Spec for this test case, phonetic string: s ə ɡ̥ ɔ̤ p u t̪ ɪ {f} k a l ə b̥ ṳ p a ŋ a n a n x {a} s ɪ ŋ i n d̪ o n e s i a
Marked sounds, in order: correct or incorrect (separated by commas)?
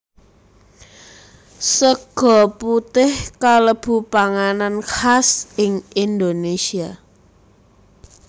incorrect, correct